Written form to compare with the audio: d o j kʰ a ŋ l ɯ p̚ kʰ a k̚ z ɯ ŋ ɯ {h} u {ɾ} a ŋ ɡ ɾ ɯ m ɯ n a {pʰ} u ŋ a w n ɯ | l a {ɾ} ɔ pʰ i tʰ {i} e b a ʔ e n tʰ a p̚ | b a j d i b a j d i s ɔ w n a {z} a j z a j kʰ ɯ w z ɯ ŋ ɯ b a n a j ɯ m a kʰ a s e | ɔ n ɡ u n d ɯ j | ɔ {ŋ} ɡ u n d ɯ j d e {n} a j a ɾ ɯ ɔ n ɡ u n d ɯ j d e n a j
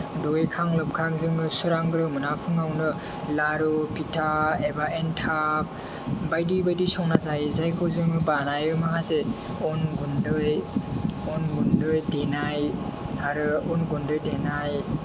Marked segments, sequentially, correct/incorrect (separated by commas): incorrect, correct, correct, correct, incorrect, correct, incorrect, correct